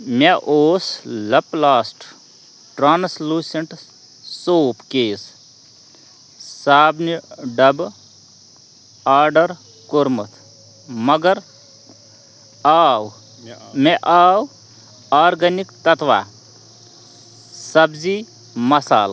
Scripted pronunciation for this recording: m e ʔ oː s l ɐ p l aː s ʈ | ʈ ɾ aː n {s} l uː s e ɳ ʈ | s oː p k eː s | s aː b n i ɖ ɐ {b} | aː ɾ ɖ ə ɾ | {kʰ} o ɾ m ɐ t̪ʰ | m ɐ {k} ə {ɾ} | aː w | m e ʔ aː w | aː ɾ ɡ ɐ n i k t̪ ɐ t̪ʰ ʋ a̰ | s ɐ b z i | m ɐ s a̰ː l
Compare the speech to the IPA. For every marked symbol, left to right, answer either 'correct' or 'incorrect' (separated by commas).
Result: correct, correct, incorrect, incorrect, correct